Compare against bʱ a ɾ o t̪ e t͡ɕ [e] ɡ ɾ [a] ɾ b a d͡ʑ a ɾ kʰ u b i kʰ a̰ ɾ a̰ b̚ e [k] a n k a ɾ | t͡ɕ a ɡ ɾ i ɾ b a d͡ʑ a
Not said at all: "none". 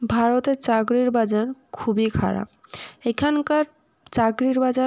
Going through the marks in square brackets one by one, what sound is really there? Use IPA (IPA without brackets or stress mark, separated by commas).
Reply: a, i, kʰ